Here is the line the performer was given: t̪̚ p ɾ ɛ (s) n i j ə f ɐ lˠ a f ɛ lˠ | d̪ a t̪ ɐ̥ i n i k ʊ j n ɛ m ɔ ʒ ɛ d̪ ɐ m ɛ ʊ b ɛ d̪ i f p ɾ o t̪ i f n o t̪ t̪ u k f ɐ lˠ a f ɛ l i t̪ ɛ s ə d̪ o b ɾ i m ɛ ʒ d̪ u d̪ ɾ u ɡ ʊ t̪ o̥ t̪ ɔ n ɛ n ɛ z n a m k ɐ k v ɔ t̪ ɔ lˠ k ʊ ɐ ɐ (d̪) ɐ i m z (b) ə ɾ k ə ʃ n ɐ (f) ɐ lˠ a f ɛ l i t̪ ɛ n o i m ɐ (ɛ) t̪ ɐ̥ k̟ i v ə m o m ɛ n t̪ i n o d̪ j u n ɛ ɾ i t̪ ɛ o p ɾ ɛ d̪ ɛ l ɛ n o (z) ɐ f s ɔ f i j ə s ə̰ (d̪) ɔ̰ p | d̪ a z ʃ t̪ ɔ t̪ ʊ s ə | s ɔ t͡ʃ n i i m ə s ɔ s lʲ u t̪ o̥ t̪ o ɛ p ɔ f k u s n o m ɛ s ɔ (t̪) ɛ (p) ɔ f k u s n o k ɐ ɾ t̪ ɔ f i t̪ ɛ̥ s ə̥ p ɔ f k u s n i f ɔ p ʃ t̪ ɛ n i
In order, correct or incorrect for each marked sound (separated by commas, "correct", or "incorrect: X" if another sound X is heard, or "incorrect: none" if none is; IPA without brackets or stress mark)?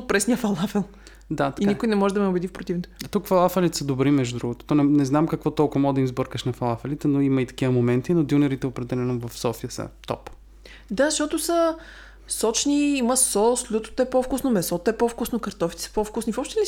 correct, correct, correct, correct, incorrect: i, incorrect: v, incorrect: t̪, correct, correct